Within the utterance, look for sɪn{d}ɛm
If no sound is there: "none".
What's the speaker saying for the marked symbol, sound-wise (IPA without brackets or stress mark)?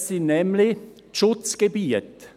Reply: n